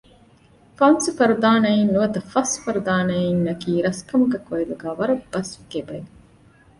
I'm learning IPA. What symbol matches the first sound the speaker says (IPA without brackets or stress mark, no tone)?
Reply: f